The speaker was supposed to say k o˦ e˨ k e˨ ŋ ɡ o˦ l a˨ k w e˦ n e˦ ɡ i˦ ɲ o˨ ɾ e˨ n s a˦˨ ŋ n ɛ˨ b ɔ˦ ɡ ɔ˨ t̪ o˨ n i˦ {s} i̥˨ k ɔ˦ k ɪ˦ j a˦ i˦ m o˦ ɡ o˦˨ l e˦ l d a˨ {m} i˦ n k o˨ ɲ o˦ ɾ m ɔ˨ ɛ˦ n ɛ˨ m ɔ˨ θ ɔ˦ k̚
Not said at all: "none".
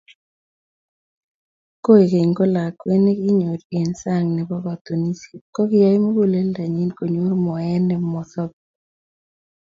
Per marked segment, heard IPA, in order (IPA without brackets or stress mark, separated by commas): s, ɲ